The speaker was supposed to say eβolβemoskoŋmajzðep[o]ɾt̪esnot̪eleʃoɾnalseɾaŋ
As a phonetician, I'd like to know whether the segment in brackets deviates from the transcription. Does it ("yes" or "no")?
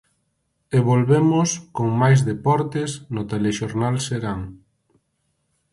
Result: yes